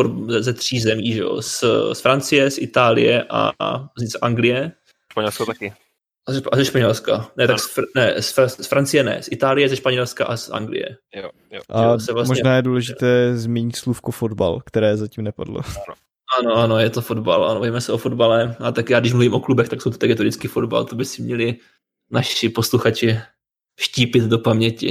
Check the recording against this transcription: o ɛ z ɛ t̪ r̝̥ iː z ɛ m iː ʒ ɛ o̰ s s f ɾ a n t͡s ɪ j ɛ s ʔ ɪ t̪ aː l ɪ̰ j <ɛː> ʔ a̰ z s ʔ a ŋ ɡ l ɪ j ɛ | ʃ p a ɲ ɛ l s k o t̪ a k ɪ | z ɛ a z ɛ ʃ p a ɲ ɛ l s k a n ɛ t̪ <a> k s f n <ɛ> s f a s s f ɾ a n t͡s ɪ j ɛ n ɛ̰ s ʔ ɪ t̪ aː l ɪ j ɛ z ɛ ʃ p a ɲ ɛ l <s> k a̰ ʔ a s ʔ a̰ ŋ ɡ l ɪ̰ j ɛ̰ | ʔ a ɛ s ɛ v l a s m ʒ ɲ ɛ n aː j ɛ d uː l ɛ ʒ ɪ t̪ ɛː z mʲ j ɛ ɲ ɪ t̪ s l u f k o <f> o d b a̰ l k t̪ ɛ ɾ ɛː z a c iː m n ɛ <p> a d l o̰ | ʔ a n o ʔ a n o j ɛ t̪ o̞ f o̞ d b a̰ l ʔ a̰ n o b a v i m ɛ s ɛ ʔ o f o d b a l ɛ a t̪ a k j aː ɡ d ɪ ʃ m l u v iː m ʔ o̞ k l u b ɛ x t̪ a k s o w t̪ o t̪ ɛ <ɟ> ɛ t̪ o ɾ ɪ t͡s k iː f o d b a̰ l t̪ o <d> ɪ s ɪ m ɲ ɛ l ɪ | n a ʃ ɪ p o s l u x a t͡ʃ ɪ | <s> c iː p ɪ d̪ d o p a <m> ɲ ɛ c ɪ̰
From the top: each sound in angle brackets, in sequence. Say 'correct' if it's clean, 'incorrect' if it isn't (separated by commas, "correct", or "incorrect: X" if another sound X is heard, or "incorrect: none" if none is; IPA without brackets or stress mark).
incorrect: ɛ, correct, correct, correct, correct, correct, incorrect: ɡ, incorrect: b, incorrect: ʃ, correct